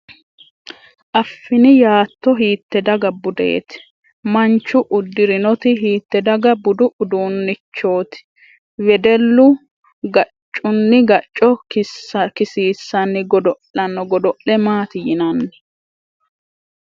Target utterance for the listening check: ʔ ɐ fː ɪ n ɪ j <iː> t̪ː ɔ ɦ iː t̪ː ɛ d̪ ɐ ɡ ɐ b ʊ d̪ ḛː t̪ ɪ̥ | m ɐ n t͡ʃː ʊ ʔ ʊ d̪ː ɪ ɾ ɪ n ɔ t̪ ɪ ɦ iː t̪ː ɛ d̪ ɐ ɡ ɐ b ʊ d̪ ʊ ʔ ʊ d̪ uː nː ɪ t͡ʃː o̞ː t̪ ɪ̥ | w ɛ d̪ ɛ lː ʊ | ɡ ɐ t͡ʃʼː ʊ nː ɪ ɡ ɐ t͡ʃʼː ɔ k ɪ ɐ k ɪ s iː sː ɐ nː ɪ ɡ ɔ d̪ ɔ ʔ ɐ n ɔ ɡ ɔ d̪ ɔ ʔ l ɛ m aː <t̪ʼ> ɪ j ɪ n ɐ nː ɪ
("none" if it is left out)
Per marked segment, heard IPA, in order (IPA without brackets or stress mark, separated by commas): aː, t̪